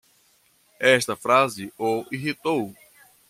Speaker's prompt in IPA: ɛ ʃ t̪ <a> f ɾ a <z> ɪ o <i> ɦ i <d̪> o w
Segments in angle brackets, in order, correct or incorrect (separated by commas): incorrect, correct, correct, incorrect